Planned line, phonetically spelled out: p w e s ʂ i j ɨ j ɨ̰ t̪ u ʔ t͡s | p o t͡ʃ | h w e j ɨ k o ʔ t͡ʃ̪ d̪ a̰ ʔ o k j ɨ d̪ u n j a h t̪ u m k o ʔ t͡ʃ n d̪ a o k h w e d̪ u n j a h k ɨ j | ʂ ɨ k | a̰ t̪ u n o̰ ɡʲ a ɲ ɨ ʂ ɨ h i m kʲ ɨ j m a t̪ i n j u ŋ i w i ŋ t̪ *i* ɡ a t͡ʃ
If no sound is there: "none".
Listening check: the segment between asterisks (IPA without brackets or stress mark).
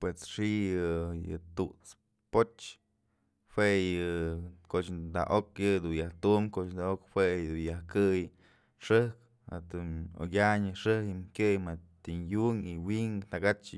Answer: a